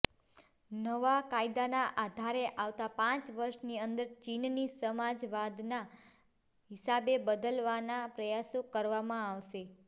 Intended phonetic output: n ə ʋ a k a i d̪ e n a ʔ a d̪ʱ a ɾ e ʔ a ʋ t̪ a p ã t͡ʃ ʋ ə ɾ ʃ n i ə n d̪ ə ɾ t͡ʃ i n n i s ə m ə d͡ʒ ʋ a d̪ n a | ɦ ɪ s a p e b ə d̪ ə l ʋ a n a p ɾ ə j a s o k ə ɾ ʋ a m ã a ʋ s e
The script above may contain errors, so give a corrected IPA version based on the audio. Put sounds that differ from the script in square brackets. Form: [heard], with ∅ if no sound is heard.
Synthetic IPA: n ə ʋ a k a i d̪ [a] n a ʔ a d̪ʱ a ɾ e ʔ a ʋ t̪ a p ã t͡ʃ ʋ ə ɾ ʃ n i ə n d̪ ə ɾ t͡ʃ i n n i s ə m [a] d͡ʒ ʋ a d̪ n a | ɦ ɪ s a [b] e b ə d̪ ə l ʋ a n a p ɾ ə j a s o k ə ɾ ʋ a m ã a ʋ [ʃ] e